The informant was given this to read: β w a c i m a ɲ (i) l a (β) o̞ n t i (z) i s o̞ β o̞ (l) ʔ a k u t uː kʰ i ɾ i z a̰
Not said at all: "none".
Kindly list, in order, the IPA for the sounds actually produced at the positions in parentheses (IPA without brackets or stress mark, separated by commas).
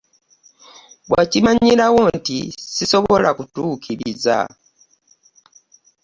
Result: i, w, s, l